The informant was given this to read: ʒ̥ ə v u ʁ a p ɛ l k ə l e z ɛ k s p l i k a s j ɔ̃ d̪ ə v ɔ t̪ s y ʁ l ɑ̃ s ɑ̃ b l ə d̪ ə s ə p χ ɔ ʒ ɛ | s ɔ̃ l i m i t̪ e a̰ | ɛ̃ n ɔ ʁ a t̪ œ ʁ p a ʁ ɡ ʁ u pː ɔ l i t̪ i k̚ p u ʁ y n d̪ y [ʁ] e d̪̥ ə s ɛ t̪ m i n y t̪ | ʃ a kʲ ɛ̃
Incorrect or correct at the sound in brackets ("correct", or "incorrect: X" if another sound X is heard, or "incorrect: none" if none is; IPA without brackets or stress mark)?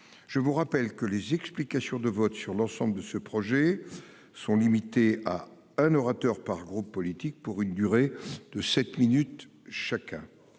correct